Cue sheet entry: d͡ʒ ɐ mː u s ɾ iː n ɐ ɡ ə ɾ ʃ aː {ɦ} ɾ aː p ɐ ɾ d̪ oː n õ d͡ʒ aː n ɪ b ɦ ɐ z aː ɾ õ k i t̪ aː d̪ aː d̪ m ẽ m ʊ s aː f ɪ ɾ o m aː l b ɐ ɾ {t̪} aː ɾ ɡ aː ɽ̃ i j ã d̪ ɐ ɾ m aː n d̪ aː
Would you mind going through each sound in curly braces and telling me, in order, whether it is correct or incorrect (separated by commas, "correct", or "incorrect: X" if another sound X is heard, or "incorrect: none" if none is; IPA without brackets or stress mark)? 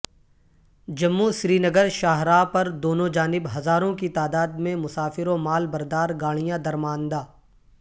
correct, incorrect: d̪